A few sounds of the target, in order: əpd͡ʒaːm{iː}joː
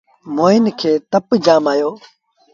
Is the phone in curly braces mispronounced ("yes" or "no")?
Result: yes